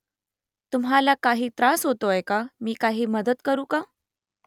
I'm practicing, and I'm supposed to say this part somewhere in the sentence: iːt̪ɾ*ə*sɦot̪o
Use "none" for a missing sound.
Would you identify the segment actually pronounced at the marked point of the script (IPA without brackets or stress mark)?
a